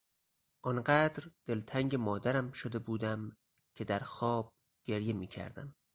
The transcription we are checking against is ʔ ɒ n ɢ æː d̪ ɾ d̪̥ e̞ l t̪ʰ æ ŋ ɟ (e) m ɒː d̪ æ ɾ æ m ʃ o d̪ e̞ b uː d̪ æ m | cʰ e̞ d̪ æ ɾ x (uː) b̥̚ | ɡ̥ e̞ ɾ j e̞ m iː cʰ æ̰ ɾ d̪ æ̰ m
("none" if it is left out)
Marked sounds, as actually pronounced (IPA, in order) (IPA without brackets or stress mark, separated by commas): e, ɒː